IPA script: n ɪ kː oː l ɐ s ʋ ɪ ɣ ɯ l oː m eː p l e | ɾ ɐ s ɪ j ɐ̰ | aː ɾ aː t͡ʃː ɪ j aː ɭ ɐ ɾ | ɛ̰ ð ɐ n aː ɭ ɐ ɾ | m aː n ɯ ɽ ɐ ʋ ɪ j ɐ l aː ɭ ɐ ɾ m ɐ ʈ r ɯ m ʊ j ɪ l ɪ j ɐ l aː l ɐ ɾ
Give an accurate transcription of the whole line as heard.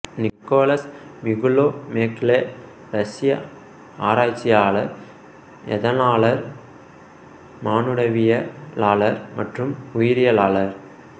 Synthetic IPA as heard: n ɪ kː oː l ɐ s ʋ ɪ ɣ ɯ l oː m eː k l e | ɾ ɐ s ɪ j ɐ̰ | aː ɾ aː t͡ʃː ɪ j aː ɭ ɐ ɾ | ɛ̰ ð ɐ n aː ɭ ɐ ɾ | m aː n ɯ ɽ ɐ ʋ ɪ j ɐ l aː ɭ ɐ ɾ m ɐ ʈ r ɯ m ʊ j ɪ ɾ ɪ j ɐ l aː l ɐ ɾ